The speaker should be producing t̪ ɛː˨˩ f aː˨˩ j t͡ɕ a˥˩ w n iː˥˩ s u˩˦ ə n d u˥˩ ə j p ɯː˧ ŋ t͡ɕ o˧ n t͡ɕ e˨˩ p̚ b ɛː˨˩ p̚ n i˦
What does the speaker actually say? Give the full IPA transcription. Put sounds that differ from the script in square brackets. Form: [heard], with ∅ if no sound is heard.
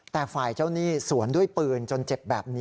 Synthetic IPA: t̪ ɛː˨˩ f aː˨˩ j t͡ɕ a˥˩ w n iː˥˩ s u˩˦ ə n d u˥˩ ə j p ɯː˧ [n] t͡ɕ o˧ n t͡ɕ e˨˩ p̚ b ɛː˨˩ p̚ n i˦

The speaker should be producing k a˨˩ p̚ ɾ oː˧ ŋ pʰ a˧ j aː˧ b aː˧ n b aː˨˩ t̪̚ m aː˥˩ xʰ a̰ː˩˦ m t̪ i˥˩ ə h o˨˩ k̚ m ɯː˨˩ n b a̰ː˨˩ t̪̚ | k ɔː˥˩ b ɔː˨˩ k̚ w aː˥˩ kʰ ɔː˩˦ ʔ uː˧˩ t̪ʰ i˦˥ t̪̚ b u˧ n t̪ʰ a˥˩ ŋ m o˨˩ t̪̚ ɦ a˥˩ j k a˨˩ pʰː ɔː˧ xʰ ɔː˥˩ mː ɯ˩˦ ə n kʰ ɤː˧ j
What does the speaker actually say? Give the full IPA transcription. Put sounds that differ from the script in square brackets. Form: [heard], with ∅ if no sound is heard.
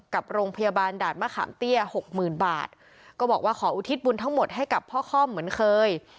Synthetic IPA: k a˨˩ p̚ ɾ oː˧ ŋ pʰ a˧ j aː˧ b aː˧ n [d] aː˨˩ t̪̚ m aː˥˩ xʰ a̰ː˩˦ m t̪ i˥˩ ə h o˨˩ k̚ m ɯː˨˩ n b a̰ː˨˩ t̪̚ | k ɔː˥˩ b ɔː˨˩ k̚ w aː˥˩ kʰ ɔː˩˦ ʔ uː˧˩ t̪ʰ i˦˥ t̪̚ b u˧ n t̪ʰ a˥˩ ŋ m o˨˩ t̪̚ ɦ a˥˩ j k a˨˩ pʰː [ɔː˥˩] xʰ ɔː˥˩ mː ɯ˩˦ ə n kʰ ɤː˧ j

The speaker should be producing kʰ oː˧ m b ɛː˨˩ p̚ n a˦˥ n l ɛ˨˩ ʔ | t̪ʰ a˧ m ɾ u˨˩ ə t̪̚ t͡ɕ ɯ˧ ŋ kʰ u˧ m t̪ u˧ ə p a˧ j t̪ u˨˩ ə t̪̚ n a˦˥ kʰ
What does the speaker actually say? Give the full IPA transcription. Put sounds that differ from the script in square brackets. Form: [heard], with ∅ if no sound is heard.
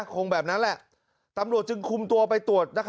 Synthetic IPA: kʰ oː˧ [ŋ] b ɛː˨˩ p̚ n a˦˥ n l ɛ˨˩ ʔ | [t̪] a˧ m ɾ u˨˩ ə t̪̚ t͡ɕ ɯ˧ ŋ kʰ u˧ m t̪ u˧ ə p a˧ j t̪ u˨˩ ə t̪̚ n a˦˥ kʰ

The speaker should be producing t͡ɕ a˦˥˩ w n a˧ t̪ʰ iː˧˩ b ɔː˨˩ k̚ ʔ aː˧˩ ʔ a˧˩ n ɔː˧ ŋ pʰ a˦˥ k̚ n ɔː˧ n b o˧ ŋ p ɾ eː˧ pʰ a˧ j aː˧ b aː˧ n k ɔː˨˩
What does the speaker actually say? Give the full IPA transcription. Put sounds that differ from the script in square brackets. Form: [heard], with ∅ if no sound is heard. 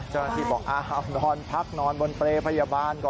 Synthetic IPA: t͡ɕ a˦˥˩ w n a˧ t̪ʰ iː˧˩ b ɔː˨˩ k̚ ʔ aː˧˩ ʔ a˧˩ n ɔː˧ [n] pʰ a˦˥ k̚ n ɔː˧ n b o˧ [n] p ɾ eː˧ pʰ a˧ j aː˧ b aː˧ n k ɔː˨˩

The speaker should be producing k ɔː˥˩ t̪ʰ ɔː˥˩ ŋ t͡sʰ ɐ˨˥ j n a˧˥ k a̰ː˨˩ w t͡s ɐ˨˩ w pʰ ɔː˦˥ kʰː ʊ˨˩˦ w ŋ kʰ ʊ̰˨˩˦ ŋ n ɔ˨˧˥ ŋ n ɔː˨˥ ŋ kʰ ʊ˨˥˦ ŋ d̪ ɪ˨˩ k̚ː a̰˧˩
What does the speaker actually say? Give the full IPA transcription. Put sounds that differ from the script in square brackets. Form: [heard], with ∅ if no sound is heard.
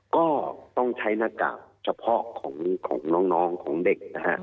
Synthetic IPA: k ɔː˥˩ [t̪] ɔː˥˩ ŋ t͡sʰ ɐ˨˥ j n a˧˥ k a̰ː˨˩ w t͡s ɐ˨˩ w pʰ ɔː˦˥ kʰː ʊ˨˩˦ [∅] ŋ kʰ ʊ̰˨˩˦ ŋ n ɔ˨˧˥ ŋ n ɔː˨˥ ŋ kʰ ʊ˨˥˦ ŋ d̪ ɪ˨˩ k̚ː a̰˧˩

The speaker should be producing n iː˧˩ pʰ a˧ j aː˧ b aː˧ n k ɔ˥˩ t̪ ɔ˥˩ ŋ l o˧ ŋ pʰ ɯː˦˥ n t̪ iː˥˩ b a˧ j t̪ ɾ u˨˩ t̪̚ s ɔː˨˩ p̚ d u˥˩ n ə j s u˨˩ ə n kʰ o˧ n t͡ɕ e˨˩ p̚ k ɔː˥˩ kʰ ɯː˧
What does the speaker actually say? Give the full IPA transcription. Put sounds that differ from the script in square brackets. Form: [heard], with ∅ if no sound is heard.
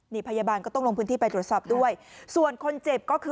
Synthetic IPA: n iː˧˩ pʰ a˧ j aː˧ b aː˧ n k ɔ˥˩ t̪ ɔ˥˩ ŋ l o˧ ŋ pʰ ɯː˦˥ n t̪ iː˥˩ [p] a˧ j t̪ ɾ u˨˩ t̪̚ s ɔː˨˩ p̚ d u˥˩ [∅] ə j s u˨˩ ə n kʰ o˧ n t͡ɕ e˨˩ p̚ k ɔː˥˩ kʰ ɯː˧

